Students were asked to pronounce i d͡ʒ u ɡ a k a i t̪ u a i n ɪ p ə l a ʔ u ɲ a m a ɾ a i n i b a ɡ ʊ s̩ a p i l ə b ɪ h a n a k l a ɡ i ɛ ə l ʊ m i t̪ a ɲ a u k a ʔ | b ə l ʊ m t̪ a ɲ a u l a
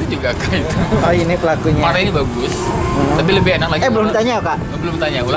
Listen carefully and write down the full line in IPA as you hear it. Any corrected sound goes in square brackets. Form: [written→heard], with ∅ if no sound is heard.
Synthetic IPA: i d͡ʒ u ɡ a k a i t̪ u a i n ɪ p ə l a [ʔ→k] u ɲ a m a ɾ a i n i b a ɡ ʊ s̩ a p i l ə b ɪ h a n a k l a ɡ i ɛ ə l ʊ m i t̪ a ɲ a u k a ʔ | b ə l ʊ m t̪ a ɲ a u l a